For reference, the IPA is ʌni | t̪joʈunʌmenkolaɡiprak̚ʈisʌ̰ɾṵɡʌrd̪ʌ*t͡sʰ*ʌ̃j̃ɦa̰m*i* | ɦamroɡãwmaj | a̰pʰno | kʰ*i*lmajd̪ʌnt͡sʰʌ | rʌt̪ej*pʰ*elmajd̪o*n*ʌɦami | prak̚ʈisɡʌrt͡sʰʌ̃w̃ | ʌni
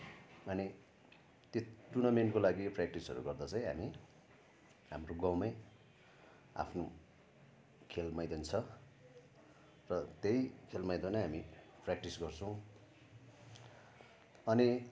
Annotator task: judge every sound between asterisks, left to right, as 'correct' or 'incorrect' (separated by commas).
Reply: incorrect, correct, incorrect, incorrect, correct